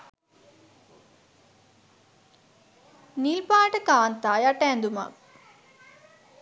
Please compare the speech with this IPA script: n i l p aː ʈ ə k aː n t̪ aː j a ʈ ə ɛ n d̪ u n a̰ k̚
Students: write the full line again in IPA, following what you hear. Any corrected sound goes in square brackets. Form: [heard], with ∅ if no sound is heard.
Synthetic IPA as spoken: n i l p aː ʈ ə k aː n t̪ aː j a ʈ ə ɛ n d̪ u [m] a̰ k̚